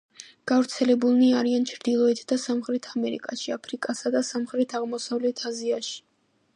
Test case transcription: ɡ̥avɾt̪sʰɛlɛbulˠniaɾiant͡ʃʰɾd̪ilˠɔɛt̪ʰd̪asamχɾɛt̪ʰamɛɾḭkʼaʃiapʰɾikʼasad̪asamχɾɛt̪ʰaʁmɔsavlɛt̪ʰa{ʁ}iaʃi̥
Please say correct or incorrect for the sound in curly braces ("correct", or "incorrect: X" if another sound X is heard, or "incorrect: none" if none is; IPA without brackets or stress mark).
incorrect: z